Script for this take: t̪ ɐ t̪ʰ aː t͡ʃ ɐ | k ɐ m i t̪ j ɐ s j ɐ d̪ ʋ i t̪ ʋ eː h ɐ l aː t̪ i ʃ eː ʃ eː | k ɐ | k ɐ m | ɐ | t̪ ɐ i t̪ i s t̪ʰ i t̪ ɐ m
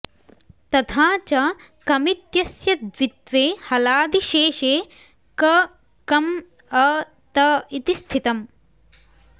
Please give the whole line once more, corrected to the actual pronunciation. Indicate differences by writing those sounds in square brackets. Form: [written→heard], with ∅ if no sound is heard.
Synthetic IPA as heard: t̪ ɐ t̪ʰ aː t͡ʃ ɐ | k ɐ m i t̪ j ɐ s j ɐ d̪ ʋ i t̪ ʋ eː h ɐ l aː [t̪→d̪] i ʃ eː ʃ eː | k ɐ | k ɐ m | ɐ | t̪ ɐ i t̪ i s t̪ʰ i t̪ ɐ m